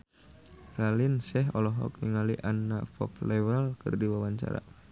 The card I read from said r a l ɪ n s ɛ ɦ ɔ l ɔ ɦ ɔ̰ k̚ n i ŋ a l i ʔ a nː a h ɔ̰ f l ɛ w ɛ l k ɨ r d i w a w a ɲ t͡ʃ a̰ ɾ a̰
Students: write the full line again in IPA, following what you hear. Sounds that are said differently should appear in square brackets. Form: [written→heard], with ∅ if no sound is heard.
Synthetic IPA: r a l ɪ n s ɛ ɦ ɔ l ɔ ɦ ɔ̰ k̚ n i ŋ a l i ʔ a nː a [h→f] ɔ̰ f l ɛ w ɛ l k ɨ r d i w a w a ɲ t͡ʃ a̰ ɾ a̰